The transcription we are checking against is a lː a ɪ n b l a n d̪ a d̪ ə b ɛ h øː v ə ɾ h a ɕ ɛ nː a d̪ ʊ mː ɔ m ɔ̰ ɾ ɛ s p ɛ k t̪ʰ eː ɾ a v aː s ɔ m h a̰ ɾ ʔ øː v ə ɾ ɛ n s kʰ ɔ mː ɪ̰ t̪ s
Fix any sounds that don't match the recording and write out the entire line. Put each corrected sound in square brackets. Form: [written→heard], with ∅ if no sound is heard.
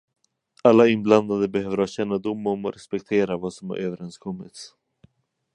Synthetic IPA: a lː a ɪ n b l a n d̪ a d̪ ə b ɛ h øː v ə ɾ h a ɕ ɛ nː a d̪ ʊ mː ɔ m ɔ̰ ɾ ɛ s p ɛ k t̪ʰ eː ɾ a v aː s ɔ m h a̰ ɾ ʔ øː v ə ɾ ɛ n s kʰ ɔ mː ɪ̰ t̪ s